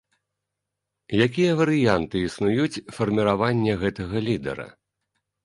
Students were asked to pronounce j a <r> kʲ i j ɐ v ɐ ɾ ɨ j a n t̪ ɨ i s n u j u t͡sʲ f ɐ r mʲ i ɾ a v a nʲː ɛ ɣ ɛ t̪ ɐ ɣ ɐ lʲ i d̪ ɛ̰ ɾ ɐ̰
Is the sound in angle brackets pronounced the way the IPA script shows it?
no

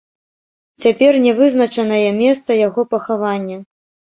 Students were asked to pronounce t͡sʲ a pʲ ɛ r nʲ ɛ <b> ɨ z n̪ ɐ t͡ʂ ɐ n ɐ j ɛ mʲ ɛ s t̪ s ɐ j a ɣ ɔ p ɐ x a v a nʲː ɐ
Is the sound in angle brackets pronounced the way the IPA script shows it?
no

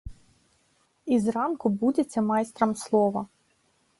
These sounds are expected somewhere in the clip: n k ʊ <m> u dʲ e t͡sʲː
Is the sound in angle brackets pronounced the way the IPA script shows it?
no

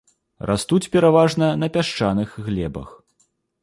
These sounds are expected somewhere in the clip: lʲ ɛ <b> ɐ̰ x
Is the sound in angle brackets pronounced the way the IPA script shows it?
yes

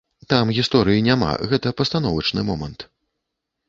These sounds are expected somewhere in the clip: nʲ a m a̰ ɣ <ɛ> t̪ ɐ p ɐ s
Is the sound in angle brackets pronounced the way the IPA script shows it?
yes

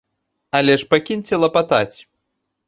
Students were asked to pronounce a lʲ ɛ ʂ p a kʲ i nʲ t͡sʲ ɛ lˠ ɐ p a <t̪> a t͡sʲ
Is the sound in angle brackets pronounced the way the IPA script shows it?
yes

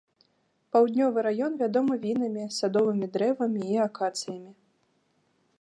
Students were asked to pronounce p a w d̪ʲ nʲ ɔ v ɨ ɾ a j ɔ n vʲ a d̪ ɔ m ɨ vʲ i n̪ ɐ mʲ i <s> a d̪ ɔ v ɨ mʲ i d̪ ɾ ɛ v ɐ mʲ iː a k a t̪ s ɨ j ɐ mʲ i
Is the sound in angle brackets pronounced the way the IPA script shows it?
yes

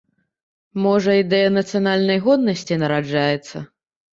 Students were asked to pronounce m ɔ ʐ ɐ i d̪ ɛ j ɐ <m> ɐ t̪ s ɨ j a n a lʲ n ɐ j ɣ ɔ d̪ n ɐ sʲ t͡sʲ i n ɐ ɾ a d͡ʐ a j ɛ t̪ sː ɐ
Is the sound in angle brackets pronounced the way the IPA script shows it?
no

